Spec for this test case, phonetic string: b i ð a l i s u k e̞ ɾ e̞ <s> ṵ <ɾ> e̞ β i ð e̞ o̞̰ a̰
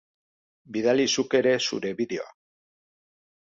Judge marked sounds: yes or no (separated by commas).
yes, yes